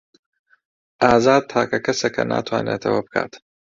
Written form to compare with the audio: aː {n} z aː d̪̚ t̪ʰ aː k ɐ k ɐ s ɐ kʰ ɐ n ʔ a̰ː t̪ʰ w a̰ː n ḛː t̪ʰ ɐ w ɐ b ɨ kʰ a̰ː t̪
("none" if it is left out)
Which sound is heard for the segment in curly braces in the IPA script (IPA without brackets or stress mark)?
none